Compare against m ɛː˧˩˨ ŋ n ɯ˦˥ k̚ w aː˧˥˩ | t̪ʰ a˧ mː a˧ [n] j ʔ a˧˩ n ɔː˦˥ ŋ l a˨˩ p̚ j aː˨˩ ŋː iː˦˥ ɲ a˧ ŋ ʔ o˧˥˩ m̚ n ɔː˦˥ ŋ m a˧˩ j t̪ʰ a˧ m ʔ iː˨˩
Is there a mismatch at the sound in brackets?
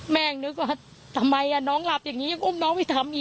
yes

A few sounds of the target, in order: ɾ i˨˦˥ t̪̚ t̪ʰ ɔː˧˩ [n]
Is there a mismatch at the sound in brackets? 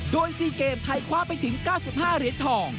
yes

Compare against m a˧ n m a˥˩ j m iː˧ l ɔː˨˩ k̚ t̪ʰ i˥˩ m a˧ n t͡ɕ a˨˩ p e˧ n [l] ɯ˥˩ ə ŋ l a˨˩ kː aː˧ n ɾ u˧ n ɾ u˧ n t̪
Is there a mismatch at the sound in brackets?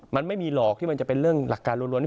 yes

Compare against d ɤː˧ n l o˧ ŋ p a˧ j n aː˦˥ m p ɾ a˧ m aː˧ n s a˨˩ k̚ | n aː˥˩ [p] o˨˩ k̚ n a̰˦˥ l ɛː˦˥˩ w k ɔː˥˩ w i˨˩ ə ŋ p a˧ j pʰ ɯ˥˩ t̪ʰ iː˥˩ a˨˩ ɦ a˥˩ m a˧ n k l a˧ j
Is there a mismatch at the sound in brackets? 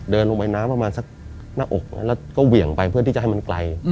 yes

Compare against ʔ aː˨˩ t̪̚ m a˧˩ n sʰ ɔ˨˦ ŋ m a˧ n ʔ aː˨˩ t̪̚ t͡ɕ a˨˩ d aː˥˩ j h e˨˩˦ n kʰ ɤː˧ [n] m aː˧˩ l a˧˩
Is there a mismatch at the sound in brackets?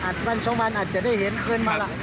no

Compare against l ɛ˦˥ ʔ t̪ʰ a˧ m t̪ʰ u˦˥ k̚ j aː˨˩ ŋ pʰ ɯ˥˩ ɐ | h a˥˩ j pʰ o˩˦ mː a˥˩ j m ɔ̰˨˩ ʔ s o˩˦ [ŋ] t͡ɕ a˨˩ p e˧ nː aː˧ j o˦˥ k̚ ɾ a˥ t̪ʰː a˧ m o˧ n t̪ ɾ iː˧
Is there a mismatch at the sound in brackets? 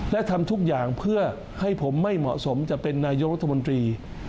yes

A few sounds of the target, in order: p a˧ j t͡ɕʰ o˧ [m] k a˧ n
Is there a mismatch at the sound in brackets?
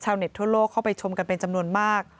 no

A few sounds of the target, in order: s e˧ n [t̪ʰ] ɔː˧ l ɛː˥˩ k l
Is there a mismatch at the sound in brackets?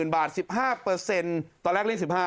yes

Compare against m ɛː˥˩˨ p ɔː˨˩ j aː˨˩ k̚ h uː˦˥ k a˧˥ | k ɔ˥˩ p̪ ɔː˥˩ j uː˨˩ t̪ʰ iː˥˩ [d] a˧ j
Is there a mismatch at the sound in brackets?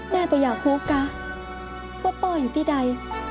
no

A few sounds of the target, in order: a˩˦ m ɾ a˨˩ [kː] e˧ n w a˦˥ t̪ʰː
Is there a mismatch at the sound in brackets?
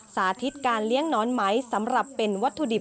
yes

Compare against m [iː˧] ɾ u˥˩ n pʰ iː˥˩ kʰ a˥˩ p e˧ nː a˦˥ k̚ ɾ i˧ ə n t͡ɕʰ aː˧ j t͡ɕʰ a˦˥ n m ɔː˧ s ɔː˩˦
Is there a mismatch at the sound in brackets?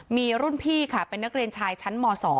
no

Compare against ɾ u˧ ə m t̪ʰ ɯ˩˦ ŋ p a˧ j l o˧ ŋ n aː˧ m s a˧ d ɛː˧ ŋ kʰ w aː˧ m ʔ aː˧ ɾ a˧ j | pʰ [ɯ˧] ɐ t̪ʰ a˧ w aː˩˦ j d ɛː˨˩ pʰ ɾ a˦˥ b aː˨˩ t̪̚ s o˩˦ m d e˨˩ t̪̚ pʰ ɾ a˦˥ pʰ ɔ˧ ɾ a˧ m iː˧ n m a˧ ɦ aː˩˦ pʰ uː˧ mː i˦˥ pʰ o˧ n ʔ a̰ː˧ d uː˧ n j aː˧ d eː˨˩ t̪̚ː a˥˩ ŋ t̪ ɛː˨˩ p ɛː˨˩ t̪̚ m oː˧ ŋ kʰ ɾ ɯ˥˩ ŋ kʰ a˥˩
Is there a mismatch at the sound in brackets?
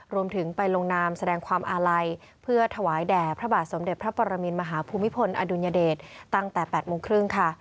yes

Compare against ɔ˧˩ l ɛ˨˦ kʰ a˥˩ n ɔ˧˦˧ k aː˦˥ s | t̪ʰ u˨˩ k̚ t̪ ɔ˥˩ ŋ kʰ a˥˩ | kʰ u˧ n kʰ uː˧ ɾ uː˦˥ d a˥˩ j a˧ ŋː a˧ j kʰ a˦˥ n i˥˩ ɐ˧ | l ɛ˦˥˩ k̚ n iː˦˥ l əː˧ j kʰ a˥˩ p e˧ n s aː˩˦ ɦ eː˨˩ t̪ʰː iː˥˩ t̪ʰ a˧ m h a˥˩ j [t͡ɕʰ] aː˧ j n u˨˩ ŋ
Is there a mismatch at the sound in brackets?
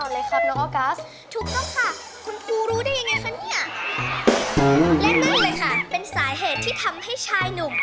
no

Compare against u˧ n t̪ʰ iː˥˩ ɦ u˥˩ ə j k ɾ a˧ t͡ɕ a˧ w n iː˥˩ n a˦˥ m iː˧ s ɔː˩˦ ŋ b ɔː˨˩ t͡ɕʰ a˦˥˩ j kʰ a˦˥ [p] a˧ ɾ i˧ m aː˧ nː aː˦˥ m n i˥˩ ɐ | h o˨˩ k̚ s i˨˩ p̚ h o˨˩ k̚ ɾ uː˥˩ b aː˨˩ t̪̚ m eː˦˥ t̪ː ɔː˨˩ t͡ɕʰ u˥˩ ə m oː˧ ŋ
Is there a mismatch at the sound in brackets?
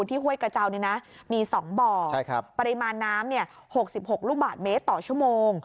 no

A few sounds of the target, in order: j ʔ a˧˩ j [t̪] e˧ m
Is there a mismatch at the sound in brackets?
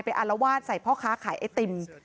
no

